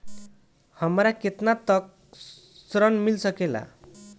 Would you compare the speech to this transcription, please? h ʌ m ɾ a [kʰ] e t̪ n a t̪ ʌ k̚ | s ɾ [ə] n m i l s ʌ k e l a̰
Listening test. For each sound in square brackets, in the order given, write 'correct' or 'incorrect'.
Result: incorrect, incorrect

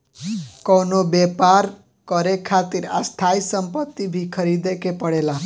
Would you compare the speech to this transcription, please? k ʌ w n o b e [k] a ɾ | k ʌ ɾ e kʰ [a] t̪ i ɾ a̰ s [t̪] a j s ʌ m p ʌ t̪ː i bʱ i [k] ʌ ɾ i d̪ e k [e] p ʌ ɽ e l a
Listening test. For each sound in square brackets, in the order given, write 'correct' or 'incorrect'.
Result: incorrect, correct, incorrect, incorrect, correct

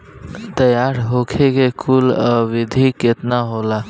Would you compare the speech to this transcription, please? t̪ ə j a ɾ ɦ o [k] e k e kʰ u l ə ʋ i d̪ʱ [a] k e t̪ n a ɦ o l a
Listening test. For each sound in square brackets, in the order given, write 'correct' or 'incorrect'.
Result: incorrect, incorrect

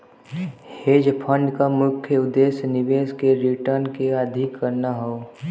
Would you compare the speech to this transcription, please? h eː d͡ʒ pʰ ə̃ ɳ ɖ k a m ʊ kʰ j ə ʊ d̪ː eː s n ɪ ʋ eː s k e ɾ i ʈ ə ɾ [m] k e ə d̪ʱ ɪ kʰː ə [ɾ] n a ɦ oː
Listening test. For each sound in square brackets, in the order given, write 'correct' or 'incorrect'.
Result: incorrect, correct

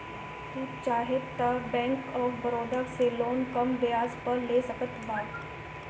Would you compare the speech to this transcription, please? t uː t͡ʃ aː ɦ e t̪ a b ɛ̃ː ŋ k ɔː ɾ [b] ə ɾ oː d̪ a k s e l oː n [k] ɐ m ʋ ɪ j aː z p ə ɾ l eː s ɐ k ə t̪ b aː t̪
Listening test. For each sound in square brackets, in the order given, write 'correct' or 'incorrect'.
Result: correct, correct

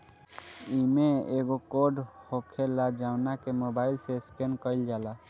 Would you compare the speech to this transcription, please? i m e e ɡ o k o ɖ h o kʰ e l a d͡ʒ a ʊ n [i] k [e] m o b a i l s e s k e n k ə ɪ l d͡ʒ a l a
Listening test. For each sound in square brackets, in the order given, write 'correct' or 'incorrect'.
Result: incorrect, correct

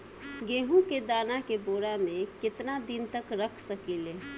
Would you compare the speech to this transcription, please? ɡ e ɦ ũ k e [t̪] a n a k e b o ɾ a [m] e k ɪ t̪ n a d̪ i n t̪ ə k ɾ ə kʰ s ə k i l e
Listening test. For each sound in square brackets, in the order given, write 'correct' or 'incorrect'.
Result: incorrect, correct

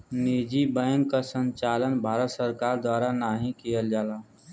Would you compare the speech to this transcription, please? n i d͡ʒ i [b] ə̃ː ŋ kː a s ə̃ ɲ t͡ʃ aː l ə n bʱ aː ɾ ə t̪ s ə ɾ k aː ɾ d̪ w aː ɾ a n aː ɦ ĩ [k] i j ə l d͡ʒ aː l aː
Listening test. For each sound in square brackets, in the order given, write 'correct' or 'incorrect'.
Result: correct, correct

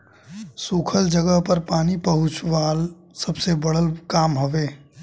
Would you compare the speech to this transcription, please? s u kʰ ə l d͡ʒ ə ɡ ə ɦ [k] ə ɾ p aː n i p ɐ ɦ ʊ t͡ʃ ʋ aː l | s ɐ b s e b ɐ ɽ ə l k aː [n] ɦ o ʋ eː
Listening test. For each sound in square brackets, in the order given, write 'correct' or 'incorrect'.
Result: incorrect, incorrect

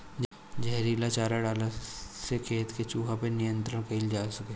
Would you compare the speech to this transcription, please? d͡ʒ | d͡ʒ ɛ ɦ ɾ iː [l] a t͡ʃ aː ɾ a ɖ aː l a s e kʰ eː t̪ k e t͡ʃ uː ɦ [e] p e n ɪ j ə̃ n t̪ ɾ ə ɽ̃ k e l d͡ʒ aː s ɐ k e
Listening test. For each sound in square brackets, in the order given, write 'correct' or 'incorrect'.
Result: correct, incorrect

